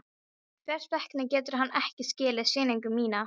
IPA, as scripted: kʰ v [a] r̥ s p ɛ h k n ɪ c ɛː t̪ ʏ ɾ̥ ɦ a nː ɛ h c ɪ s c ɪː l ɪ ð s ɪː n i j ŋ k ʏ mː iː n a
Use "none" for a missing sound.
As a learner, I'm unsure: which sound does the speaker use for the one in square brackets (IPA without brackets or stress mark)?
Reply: ɛ